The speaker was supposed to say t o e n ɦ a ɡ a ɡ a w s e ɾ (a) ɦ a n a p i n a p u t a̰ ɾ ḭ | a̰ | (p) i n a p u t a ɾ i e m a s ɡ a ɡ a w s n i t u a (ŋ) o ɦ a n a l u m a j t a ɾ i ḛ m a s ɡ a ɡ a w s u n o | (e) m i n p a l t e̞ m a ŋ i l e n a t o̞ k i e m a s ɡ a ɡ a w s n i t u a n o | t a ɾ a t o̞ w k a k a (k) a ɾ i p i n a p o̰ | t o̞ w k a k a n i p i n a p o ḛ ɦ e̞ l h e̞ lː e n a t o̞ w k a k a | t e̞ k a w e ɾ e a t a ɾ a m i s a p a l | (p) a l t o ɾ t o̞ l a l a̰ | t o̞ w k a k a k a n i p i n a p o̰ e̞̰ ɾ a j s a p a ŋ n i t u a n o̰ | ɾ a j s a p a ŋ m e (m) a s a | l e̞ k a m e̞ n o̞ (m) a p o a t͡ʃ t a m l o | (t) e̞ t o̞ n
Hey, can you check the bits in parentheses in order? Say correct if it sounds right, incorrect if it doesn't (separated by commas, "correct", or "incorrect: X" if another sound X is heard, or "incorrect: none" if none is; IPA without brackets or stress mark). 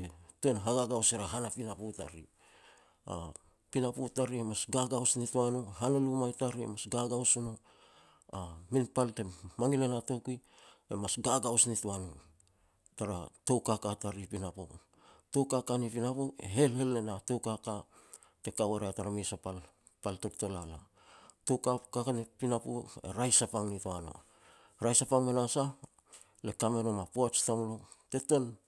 correct, correct, incorrect: n, incorrect: a, incorrect: t, correct, incorrect: n, correct, correct